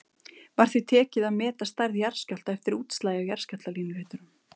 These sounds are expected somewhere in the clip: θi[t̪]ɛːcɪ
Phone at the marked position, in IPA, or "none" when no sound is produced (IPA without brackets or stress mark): t̪ʰ